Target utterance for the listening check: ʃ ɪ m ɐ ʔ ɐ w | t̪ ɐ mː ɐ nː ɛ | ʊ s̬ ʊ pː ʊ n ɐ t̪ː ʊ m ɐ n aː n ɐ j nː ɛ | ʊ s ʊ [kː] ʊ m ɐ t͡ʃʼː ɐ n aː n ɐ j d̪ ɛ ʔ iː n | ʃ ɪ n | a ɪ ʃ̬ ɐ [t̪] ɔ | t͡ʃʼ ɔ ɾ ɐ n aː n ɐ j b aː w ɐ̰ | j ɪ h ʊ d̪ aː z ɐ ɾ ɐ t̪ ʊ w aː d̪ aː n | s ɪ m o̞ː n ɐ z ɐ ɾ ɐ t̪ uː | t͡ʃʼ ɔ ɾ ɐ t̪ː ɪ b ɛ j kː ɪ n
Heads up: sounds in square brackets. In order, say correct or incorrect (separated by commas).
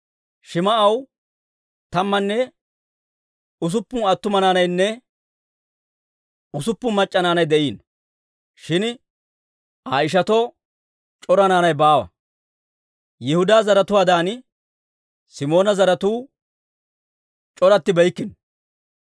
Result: incorrect, correct